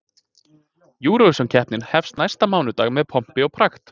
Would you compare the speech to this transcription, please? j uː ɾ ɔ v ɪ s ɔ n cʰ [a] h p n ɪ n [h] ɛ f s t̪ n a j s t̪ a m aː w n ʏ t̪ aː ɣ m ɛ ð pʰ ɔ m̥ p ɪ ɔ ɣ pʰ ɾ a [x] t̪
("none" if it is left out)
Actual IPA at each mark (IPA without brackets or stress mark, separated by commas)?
ɛ, h, x